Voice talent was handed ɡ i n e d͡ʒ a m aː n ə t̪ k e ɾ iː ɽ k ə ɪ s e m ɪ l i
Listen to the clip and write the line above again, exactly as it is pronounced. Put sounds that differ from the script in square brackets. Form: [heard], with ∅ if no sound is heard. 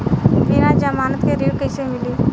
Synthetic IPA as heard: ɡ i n [a] d͡ʒ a m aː n ə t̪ k e ɾ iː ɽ k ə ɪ s e m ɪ l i